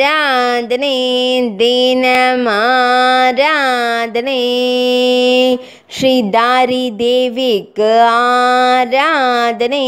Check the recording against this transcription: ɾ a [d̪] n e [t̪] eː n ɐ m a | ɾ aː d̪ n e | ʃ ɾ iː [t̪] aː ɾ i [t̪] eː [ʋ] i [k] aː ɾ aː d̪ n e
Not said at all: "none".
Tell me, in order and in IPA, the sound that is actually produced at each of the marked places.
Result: d̪, d̪, d̪, d̪, ʋ, k

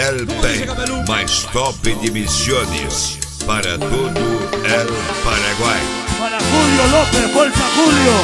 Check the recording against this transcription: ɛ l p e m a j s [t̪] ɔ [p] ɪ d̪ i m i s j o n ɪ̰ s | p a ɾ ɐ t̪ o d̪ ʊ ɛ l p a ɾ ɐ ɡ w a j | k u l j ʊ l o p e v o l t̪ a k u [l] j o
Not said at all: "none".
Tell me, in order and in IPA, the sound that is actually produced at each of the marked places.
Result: t̪, p, l

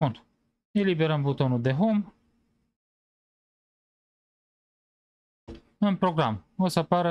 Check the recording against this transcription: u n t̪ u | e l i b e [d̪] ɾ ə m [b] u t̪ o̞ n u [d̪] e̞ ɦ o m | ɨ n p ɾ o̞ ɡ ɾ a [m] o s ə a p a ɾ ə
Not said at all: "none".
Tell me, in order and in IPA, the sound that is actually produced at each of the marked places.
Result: none, b, d̪, m

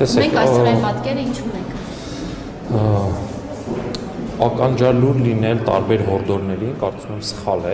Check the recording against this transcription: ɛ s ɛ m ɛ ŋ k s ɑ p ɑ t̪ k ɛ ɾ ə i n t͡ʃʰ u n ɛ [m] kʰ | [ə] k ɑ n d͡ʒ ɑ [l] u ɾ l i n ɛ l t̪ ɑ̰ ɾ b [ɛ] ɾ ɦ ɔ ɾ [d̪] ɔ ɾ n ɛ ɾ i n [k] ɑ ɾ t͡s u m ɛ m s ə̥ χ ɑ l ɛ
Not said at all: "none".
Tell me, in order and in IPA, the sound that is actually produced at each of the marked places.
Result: ŋ, ɑ, l, ɛ, d̪, k

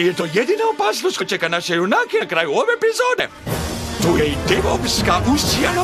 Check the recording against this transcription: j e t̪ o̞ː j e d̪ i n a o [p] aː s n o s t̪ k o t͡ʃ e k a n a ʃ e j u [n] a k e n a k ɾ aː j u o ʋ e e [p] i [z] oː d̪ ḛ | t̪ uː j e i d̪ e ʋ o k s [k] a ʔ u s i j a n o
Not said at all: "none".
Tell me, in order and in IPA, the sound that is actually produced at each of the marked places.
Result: p, n, p, z, k

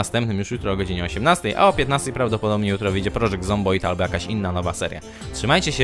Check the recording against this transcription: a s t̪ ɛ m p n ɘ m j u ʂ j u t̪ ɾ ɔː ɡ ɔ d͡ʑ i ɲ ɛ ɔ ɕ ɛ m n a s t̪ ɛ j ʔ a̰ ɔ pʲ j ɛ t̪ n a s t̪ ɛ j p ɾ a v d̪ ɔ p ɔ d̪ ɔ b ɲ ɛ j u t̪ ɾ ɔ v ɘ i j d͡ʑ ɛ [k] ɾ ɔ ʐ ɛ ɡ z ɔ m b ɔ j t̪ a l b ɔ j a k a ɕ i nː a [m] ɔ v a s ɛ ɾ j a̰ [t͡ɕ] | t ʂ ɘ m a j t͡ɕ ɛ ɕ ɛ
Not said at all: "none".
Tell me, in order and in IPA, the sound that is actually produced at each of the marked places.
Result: p, n, none

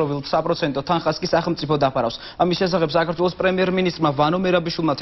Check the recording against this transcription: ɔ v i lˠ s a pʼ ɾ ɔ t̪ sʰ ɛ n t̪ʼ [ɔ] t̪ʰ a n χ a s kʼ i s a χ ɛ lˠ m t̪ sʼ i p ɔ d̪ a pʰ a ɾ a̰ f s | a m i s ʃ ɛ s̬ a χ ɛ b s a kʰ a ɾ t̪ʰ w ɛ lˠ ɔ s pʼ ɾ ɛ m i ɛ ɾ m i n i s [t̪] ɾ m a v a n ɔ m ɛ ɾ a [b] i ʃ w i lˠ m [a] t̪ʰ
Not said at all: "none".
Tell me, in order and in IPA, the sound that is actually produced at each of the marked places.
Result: ɔ, t̪ʼ, b, a

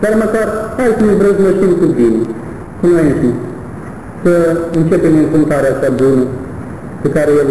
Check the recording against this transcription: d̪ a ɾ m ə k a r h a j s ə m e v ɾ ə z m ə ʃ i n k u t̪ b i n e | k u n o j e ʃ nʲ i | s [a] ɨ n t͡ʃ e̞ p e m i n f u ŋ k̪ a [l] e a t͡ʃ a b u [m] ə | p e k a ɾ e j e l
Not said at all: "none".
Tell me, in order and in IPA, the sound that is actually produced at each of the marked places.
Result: ə, ɾ, n

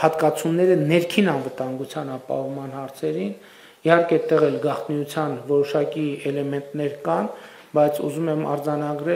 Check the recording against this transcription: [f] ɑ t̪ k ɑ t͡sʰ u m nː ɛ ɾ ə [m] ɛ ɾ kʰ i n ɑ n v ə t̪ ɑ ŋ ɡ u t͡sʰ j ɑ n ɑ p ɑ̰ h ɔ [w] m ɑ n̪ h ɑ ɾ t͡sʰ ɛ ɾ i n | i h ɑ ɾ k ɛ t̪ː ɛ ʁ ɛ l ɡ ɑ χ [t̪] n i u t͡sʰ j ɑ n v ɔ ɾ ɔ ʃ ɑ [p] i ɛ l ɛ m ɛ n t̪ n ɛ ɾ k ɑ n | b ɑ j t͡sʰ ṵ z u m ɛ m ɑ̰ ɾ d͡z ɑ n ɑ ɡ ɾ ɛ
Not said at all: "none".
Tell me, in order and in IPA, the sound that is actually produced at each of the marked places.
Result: h, n, v, t̪, k

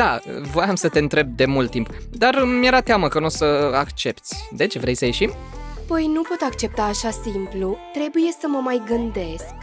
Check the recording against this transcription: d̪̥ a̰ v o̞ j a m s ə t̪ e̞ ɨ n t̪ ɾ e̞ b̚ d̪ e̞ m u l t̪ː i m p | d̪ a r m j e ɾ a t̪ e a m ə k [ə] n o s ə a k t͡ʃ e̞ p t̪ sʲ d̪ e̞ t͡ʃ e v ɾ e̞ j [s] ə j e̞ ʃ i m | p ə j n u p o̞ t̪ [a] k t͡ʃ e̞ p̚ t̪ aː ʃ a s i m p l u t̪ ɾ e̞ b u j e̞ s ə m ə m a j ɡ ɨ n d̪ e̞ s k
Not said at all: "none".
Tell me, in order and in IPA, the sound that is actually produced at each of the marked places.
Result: ə, s, a

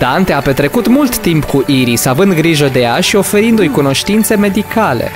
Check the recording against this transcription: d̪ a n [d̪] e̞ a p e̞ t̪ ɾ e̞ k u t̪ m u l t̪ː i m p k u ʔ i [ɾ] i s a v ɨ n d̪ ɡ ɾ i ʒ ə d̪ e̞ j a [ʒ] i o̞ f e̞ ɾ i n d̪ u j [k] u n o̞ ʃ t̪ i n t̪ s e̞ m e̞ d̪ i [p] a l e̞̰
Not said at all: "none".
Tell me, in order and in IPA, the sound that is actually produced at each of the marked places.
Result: t̪, ɾ, ʃ, k, k

